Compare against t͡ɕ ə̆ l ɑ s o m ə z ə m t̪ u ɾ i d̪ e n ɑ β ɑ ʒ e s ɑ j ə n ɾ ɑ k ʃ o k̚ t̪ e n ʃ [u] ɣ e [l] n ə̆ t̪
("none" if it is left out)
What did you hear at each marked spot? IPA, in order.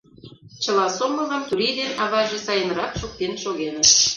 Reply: o, none

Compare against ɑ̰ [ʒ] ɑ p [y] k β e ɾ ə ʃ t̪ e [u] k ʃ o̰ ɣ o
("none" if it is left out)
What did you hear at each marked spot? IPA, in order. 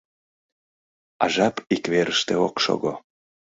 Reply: ʒ, i, o

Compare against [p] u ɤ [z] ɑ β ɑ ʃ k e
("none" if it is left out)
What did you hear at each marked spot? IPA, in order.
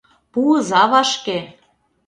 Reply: p, z

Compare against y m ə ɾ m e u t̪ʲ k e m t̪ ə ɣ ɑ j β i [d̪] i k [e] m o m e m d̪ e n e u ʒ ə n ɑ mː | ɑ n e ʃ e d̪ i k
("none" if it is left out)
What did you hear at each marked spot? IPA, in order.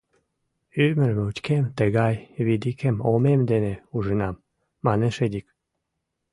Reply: d̪, e

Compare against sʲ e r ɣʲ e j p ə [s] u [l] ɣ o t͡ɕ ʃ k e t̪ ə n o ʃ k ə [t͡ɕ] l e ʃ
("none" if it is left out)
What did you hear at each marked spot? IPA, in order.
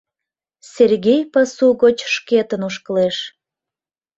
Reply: s, none, none

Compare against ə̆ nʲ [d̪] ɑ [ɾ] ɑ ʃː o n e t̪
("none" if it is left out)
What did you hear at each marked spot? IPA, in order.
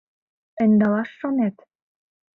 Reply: d̪, l

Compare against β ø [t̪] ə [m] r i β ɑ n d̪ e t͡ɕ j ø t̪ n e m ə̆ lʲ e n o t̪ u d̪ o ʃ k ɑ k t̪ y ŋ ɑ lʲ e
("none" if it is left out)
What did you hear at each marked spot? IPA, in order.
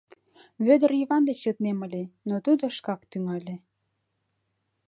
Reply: d̪, none

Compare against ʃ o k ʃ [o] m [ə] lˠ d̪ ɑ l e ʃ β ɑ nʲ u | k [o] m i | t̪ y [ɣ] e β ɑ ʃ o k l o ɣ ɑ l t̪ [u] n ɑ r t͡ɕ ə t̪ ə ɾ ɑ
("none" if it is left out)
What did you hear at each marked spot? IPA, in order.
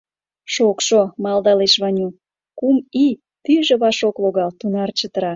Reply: o, ɑ, u, ʒ, u

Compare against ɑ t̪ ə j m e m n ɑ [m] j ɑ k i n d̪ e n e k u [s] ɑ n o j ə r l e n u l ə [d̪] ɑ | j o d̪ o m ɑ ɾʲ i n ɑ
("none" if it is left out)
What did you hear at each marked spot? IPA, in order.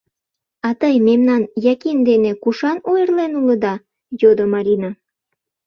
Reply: n, ʃ, d̪

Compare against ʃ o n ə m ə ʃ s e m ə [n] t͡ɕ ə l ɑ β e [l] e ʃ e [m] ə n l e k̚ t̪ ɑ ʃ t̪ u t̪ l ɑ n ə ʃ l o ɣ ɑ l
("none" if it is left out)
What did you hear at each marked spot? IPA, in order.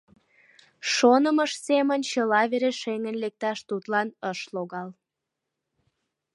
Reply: n, ɾ, ŋ

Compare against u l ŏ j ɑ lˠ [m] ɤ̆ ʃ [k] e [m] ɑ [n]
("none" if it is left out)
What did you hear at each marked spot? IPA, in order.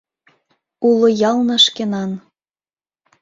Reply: n, k, n, n

